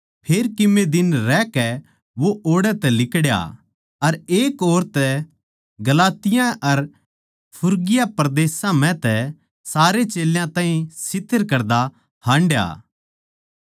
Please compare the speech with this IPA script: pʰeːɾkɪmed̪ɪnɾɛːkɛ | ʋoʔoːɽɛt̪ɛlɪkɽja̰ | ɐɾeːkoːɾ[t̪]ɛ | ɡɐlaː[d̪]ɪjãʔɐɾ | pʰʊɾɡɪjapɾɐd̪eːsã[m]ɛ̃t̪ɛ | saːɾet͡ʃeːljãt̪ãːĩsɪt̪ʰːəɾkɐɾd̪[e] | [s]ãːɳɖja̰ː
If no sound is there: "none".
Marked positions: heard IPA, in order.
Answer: t̪, t̪, m, a, h

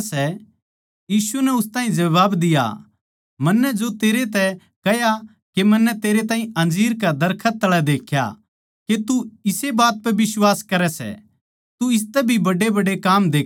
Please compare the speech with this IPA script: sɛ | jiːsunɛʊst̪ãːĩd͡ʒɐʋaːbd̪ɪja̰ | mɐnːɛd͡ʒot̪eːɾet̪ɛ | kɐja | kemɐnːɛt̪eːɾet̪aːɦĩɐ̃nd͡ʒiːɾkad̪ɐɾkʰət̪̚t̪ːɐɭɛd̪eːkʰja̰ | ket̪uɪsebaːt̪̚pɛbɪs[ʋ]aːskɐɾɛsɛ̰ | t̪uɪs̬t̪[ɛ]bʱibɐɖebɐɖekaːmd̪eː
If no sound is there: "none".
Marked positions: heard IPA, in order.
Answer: w, ɛ

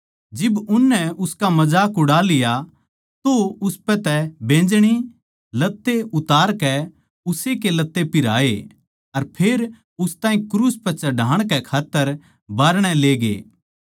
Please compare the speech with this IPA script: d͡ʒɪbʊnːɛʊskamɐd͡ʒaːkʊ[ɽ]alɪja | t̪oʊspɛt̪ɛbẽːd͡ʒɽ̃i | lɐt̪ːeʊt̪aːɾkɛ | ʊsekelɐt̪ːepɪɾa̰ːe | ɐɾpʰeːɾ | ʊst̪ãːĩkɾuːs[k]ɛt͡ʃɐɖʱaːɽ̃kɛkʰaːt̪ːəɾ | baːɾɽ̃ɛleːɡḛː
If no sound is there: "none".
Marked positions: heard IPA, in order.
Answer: ɽ, p

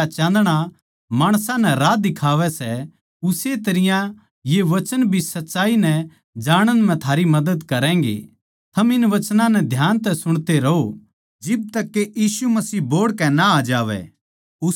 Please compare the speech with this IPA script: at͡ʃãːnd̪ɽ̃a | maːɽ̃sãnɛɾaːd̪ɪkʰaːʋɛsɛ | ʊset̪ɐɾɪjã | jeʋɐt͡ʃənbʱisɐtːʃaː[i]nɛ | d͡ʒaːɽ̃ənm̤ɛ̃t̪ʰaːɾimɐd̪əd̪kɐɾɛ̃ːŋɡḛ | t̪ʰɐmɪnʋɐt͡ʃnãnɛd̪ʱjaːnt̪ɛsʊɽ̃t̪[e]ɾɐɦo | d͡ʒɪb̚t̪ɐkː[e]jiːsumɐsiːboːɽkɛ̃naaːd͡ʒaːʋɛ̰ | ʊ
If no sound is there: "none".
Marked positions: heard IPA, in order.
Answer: i, e, e

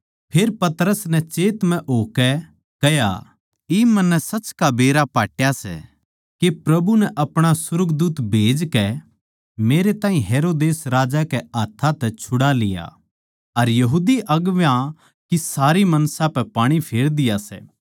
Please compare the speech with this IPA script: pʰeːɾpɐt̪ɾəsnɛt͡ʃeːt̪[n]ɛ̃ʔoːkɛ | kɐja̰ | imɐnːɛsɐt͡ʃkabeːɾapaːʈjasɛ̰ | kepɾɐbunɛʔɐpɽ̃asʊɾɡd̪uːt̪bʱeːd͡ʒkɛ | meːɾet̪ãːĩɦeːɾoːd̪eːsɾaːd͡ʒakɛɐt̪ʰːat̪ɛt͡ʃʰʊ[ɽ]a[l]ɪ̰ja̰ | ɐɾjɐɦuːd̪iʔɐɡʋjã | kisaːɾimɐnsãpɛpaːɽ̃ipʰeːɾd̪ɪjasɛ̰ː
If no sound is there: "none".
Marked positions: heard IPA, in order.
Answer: m, ɽ, l

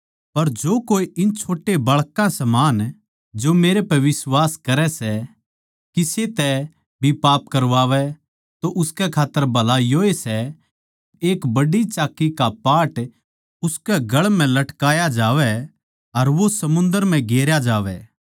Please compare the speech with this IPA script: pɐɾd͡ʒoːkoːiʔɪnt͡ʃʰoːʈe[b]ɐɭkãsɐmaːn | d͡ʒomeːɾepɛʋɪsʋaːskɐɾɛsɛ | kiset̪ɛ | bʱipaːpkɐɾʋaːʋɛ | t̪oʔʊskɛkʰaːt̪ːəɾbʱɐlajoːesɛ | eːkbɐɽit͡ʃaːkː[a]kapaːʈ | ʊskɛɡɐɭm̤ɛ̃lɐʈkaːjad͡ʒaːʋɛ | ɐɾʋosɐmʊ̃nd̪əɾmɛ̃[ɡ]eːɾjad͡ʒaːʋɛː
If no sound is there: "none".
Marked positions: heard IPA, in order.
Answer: b, i, ɡ

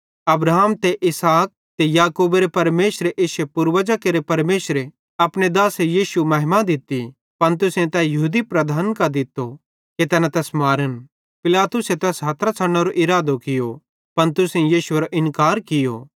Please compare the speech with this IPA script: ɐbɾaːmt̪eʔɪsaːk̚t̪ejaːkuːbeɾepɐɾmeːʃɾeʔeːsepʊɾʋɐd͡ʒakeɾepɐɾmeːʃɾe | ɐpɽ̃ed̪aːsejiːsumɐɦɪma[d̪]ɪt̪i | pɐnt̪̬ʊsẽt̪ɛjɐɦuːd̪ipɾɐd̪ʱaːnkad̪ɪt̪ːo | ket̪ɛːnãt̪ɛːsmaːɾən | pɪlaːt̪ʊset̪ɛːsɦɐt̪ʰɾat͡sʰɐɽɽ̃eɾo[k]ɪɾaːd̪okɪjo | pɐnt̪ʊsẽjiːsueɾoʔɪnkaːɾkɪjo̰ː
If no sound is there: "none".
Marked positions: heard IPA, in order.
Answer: d̪, ʔ

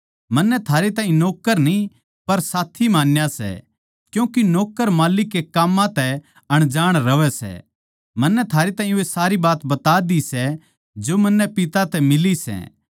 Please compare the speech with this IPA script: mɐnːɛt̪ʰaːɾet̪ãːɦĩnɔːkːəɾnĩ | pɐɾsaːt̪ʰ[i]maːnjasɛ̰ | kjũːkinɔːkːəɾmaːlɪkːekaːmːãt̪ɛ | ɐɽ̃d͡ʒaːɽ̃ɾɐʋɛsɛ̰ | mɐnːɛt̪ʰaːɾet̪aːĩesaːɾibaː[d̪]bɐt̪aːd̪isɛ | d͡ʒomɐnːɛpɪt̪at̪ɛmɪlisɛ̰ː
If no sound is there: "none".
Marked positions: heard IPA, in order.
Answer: i, t̪

